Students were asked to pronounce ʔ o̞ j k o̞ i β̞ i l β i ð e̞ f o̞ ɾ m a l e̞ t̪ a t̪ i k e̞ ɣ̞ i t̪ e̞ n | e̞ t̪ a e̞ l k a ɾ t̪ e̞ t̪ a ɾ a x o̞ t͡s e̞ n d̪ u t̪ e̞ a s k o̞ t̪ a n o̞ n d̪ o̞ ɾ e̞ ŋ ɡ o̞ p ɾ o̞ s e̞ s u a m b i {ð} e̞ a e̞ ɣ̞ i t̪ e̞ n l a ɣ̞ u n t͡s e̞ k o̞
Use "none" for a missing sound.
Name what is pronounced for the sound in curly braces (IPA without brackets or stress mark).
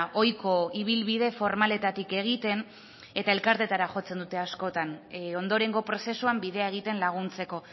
ð